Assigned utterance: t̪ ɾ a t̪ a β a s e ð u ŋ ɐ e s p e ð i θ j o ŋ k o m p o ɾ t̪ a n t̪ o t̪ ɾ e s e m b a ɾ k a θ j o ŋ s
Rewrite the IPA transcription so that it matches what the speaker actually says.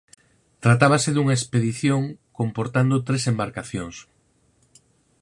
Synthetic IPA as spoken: t̪ ɾ a t̪ a β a s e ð u ŋ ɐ e s p e ð i θ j o ŋ k o m p o ɾ t̪ a n d̪ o t̪ ɾ e s e m b a ɾ k a θ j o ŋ s